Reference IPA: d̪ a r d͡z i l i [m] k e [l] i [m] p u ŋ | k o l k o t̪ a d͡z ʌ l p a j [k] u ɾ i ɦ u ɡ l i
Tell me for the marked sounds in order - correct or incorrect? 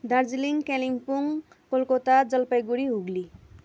incorrect, correct, incorrect, incorrect

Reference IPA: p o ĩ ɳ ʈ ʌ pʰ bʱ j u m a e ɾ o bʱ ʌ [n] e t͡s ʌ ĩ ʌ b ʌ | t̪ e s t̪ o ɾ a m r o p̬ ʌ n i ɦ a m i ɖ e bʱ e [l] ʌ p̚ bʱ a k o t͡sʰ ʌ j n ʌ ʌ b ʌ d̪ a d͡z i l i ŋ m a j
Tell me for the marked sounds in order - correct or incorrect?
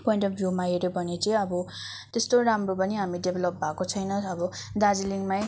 correct, correct

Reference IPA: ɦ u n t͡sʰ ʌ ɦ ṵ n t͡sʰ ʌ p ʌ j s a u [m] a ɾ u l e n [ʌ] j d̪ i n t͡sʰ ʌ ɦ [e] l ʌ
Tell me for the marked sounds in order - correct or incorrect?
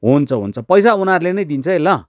incorrect, correct, correct

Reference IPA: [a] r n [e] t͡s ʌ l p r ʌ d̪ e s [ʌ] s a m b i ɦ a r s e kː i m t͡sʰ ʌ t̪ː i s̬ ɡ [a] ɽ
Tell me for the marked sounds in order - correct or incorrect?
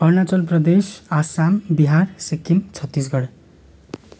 incorrect, incorrect, incorrect, incorrect

